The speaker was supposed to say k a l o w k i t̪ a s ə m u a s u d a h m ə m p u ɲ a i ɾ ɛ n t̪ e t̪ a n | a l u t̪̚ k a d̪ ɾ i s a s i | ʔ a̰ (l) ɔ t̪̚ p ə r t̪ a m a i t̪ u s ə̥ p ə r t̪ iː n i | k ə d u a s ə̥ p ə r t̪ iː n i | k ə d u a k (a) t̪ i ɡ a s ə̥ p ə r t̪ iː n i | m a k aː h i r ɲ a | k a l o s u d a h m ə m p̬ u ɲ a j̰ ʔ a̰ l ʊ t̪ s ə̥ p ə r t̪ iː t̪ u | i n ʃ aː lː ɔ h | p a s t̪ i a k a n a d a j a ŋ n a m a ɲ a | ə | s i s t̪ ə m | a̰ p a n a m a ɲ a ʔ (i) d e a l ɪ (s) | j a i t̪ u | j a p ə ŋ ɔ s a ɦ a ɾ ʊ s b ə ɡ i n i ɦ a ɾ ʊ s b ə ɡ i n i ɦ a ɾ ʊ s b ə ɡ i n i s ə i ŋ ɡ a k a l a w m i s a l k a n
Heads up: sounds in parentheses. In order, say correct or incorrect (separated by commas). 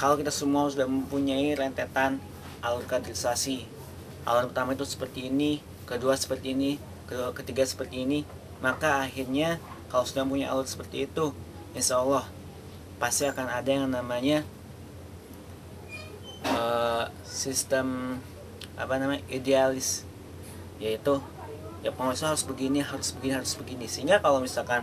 correct, incorrect, correct, correct